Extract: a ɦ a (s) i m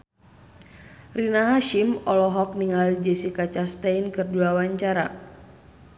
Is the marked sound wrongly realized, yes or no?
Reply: yes